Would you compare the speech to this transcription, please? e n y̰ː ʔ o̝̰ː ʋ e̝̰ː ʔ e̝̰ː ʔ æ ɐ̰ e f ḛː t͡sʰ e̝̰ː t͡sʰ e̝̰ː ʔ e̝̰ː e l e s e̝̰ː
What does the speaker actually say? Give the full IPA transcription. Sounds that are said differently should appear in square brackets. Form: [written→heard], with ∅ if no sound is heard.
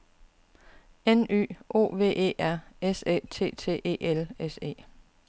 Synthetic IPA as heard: e n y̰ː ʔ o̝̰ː ʋ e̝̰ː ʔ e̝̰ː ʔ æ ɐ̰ e [f→s] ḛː t͡sʰ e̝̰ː t͡sʰ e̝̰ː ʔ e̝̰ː e l e s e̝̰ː